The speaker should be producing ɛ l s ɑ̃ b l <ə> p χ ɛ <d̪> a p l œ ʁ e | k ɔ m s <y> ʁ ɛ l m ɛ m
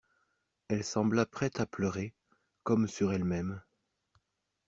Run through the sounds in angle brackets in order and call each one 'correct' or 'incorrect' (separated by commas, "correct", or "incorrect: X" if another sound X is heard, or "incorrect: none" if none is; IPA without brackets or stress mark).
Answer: incorrect: a, incorrect: t̪, correct